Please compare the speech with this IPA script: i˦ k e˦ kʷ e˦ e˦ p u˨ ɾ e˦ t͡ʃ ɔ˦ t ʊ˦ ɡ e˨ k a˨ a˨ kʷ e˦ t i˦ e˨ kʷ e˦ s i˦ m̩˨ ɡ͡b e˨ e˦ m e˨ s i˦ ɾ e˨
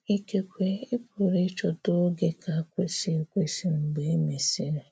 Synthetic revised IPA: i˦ k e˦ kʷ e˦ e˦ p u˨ ɾ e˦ t͡ʃ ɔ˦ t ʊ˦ ɡ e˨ k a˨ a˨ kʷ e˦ s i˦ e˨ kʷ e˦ s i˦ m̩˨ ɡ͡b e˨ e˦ m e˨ s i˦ ɾ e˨